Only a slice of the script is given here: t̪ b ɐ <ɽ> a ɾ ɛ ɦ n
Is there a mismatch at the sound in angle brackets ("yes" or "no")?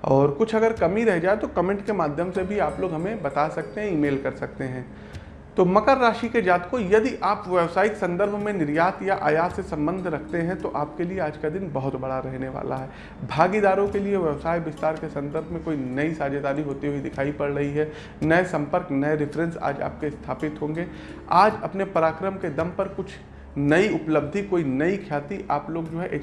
no